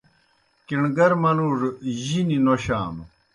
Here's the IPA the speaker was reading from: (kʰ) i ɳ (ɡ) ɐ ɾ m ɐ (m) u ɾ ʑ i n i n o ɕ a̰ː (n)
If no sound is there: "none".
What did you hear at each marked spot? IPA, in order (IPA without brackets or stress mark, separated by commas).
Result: k, ɡ, n, m